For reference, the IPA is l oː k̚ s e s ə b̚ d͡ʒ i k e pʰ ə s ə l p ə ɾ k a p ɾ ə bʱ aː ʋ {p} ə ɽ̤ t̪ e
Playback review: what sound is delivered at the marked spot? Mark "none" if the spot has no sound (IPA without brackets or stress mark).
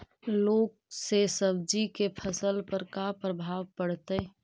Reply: p